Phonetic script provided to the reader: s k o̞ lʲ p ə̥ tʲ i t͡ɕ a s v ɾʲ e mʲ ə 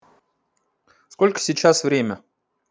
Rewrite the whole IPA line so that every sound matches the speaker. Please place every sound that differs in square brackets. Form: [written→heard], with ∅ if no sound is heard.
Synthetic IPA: s k o̞ lʲ [p→k] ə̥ [tʲ→sʲ] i t͡ɕ a s v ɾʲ e mʲ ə